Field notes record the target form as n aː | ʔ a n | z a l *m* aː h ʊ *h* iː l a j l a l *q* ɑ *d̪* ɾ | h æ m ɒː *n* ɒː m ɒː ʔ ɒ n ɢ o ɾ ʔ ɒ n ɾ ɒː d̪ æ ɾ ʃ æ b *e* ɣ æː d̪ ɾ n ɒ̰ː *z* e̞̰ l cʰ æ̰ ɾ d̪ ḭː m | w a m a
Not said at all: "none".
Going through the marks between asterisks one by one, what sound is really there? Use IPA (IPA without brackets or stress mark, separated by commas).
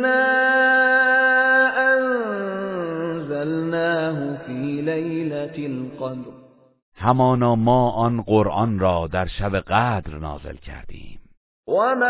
n, f, q, d̪, n, e, z